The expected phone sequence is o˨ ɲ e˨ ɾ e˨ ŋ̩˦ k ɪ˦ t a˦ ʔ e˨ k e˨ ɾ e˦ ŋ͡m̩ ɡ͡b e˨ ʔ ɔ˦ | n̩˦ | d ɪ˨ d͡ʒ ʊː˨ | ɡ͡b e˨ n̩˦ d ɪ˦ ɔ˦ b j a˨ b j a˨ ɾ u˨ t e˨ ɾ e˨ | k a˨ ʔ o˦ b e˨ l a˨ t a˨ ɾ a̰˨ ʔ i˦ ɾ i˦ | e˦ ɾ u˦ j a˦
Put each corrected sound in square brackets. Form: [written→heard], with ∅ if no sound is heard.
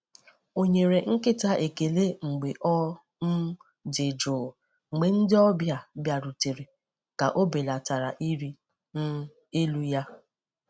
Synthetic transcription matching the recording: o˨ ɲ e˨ ɾ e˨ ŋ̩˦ k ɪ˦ t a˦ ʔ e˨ k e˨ [ɾ→l] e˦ ŋ͡m̩ ɡ͡b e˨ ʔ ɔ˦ | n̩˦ | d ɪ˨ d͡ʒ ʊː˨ | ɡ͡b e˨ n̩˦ d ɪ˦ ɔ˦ b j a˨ b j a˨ ɾ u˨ t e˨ ɾ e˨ | k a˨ ʔ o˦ b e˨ l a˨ t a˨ ɾ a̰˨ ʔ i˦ ɾ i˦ | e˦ [ɾ→l] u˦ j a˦